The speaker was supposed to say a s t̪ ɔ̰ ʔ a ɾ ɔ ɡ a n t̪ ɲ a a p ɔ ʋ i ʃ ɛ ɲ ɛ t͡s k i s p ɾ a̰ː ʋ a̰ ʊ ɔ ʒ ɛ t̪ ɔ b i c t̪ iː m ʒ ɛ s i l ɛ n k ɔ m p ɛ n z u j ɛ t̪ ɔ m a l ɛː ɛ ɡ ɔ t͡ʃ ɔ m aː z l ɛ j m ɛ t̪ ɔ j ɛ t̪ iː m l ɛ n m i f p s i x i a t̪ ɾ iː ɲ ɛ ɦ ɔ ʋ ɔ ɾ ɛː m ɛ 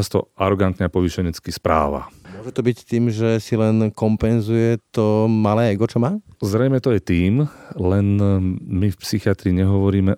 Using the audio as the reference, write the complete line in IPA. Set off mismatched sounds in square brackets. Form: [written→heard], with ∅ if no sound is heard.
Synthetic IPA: a s t̪ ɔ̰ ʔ a ɾ ɔ ɡ a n t̪ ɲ [a→ɛ] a p ɔ ʋ i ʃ ɛ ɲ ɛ t͡s k i s p ɾ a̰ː ʋ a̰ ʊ ɔ ʒ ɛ t̪ ɔ b i c t̪ iː m ʒ ɛ s i l ɛ n k ɔ m p ɛ n z u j ɛ t̪ ɔ m a l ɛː ɛ ɡ ɔ t͡ʃ ɔ m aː z [l→ɾ] ɛ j m ɛ t̪ ɔ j ɛ t̪ iː m l ɛ n m i f p s i x i a t̪ ɾ iː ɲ ɛ ɦ ɔ ʋ ɔ ɾ [ɛː→iː] m ɛ